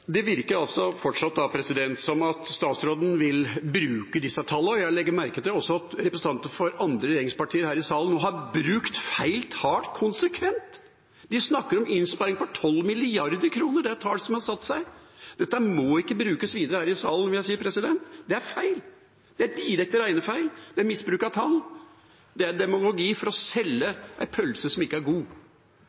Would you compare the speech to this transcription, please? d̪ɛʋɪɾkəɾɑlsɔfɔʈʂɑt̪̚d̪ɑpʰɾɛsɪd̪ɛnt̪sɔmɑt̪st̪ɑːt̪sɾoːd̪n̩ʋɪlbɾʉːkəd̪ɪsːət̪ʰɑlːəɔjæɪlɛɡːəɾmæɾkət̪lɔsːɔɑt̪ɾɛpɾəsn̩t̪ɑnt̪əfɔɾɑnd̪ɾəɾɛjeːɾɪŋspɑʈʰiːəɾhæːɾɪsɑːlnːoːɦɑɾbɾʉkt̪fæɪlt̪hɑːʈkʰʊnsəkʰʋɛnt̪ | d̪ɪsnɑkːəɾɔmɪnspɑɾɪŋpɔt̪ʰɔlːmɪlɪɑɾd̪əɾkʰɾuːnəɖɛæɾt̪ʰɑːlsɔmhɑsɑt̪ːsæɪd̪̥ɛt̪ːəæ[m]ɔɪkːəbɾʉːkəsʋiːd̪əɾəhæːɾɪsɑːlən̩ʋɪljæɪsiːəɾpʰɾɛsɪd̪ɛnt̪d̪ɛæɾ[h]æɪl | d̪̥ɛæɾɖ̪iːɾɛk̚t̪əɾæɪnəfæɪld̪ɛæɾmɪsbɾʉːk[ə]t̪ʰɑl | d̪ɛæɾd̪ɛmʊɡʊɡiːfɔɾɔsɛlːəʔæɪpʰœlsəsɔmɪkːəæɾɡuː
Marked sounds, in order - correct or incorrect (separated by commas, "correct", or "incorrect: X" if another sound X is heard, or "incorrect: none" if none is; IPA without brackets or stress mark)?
correct, incorrect: f, incorrect: ɑ